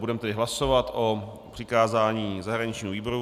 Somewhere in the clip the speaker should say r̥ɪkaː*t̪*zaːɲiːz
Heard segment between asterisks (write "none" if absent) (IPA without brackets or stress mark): none